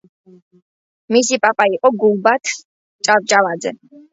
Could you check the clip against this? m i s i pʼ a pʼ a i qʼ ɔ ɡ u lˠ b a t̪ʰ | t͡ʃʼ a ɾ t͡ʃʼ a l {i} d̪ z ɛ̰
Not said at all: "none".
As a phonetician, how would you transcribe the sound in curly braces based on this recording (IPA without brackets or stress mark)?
a